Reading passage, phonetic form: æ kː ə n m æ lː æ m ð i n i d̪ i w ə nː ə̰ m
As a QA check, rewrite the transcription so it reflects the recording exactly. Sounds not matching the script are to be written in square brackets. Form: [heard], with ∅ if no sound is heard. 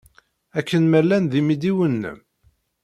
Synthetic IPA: æ kː ə n m æ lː æ [n] ð i [m] i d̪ i w ə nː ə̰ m